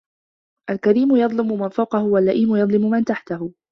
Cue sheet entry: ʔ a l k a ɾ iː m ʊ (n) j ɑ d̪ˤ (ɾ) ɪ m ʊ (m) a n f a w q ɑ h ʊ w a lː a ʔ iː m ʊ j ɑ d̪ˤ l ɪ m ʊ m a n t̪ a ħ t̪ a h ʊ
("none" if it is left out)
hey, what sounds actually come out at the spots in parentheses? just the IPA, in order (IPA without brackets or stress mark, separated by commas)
none, l, m